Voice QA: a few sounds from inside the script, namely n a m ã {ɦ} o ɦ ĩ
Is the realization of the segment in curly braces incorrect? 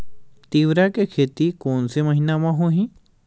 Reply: no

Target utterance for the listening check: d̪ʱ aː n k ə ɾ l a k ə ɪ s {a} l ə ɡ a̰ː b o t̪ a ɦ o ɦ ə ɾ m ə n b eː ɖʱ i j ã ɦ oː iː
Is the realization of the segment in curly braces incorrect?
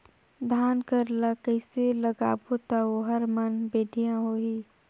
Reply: yes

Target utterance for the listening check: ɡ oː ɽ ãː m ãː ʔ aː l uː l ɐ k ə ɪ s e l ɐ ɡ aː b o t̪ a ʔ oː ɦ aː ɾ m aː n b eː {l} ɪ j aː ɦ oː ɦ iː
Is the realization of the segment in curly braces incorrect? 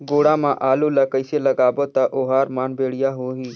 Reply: yes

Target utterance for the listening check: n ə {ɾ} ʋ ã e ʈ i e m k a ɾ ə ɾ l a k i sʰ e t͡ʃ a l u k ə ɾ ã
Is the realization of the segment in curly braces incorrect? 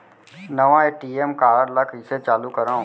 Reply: yes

